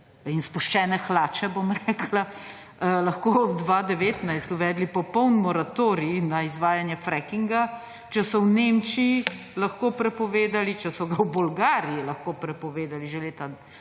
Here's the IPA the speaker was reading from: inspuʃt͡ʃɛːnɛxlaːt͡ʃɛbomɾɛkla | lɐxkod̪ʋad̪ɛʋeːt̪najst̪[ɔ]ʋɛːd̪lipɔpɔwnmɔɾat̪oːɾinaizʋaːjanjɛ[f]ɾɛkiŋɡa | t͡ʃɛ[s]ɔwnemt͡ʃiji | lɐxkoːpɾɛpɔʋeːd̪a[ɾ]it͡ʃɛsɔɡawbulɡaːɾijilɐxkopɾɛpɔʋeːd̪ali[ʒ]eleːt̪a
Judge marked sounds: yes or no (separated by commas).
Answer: no, yes, yes, no, yes